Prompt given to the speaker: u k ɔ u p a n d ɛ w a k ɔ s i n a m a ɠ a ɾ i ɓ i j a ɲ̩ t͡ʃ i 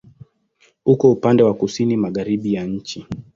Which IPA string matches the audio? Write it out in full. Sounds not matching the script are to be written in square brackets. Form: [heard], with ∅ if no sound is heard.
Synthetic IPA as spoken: u k ɔ u p a n d ɛ w a k [u] s i n [i] m a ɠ a ɾ i ɓ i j a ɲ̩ t͡ʃ i